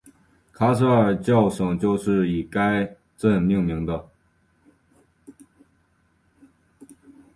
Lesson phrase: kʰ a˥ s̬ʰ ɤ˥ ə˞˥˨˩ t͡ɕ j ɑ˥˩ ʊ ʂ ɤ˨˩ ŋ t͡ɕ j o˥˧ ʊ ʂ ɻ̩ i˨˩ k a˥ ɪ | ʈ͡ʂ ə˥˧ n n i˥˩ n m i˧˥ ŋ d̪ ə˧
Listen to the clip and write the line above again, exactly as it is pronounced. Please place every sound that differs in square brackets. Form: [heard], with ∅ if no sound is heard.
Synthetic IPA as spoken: kʰ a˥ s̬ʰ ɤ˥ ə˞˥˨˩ t͡ɕ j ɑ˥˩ ʊ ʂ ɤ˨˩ ŋ t͡ɕ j o˥˧ ʊ ʂ ɻ̩ i˨˩ k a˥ ɪ | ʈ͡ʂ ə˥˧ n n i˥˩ [ŋ] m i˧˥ ŋ d̪ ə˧